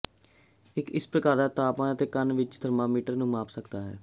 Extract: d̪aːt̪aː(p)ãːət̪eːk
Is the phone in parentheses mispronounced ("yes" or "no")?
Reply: no